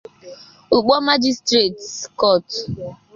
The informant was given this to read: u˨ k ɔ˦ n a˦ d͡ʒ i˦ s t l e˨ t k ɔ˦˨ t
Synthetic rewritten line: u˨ k͡p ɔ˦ m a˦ d͡ʒ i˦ s t ɾ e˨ t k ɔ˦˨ t